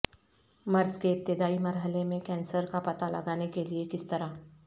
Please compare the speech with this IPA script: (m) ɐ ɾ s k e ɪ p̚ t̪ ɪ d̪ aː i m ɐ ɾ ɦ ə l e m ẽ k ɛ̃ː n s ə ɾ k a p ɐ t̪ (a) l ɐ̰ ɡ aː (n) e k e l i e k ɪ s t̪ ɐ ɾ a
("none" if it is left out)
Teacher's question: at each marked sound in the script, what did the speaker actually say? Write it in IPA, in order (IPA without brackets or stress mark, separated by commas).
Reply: m, a, n